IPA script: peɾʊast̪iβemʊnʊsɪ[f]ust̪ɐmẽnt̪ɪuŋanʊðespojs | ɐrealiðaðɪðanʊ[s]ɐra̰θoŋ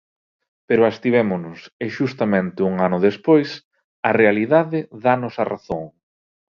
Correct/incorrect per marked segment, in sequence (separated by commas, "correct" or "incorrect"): incorrect, correct